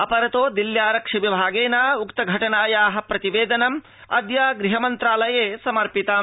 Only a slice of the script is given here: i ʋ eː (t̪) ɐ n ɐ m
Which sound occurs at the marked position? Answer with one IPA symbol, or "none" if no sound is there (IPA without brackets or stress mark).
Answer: d̪